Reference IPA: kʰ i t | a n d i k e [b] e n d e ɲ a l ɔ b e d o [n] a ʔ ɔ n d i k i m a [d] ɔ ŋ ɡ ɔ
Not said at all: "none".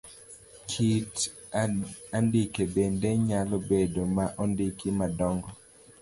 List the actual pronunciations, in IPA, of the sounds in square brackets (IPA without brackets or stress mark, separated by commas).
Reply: b, m, d